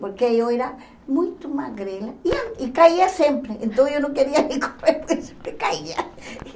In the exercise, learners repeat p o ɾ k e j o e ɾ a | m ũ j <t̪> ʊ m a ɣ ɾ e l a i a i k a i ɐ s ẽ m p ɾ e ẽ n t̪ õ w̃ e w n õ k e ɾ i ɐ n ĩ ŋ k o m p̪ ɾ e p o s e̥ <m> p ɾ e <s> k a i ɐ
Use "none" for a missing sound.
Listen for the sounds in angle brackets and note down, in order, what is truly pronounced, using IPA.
t̪, m, none

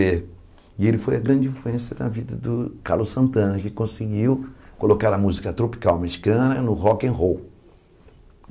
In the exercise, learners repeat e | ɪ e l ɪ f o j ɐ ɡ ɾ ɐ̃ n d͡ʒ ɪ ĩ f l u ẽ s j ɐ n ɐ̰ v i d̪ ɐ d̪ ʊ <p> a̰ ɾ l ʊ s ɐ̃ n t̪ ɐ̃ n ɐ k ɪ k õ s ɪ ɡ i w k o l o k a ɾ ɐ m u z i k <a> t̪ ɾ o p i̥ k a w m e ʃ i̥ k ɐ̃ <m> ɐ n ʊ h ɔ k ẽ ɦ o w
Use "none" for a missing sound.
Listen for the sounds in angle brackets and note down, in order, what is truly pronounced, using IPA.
k, ɐ, n

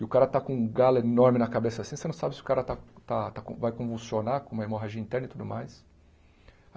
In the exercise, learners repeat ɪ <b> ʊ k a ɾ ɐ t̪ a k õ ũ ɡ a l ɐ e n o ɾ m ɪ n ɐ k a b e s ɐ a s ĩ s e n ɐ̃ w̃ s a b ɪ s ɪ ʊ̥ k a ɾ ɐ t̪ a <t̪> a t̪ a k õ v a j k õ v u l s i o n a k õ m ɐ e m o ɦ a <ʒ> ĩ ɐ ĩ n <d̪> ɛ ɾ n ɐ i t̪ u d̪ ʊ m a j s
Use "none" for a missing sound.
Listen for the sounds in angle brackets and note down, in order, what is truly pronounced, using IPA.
none, t̪, ʒ, t̪

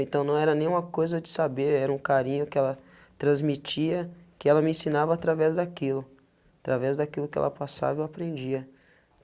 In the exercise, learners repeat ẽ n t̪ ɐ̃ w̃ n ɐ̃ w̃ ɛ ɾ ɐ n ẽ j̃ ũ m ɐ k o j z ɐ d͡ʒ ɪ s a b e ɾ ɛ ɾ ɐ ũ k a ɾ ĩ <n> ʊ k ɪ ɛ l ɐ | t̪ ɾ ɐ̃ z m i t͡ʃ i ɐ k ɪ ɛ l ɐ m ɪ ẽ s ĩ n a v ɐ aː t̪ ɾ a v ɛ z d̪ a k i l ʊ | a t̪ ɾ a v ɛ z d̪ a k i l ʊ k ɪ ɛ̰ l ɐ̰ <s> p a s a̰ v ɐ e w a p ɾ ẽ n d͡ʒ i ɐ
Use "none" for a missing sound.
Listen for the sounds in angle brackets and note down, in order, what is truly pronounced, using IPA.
ɲ, none

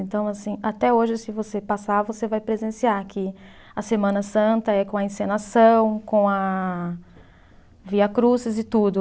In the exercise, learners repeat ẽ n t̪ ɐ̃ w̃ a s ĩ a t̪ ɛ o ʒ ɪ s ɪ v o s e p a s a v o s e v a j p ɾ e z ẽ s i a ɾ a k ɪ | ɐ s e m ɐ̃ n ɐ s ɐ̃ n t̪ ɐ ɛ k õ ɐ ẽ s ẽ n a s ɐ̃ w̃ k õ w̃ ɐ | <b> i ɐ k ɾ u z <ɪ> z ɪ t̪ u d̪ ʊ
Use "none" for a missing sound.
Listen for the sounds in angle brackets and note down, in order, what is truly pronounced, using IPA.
v, ɪ

